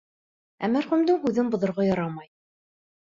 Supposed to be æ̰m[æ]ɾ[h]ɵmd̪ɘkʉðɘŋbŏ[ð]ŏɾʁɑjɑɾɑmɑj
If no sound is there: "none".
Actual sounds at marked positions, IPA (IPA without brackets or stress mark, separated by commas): æ, χ, ð